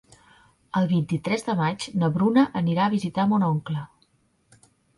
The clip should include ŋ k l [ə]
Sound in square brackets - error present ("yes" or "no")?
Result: no